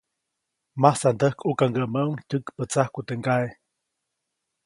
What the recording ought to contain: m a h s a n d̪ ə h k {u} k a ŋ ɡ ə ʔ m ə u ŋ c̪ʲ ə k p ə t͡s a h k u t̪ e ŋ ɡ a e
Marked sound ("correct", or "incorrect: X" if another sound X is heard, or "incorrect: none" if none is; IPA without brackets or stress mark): correct